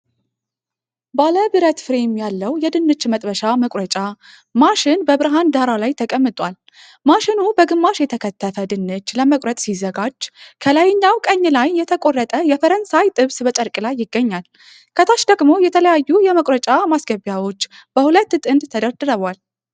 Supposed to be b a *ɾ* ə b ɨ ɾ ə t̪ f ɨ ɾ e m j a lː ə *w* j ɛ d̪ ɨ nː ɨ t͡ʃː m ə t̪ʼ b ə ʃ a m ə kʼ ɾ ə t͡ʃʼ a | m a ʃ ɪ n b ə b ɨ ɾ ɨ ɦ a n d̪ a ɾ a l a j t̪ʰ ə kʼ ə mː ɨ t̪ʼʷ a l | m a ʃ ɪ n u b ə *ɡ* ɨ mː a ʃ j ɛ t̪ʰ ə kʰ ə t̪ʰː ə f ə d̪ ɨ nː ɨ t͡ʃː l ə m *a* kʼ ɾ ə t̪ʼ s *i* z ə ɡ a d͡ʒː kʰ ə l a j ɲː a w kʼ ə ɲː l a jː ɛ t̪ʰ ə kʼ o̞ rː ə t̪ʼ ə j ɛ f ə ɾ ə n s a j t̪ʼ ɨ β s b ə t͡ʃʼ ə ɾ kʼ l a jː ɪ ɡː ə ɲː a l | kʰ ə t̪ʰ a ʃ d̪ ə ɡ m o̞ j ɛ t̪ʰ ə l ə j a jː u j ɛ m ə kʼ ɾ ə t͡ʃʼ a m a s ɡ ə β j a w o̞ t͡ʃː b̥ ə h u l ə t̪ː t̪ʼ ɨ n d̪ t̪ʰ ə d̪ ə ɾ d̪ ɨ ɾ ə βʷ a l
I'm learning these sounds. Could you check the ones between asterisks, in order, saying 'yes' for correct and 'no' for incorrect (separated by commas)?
no, yes, yes, no, yes